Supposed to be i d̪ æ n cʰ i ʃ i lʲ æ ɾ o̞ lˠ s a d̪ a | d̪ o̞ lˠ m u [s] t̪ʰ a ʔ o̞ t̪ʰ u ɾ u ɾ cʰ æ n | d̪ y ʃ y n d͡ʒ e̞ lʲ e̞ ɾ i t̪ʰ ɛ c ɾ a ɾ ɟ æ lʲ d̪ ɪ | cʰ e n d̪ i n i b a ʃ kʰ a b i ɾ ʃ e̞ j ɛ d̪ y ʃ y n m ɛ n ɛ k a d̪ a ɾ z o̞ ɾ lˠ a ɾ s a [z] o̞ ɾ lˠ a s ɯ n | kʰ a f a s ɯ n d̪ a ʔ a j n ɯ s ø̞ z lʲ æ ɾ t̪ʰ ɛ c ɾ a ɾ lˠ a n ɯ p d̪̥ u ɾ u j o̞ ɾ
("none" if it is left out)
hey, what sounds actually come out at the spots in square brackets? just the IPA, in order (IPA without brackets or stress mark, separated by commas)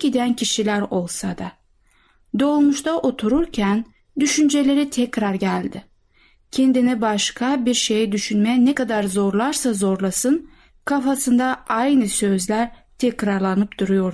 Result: ʃ, z